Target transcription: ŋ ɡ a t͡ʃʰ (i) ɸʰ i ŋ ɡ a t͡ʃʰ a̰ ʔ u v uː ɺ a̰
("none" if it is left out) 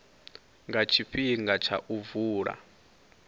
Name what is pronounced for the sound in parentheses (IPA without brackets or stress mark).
i